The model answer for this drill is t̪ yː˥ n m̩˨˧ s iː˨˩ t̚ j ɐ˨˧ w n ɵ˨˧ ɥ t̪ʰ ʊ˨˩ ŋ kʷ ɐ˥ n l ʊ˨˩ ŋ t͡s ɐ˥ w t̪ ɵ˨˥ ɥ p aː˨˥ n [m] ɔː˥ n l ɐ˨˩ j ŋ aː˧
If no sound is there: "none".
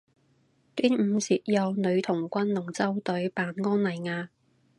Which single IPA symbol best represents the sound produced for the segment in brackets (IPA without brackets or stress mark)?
ŋ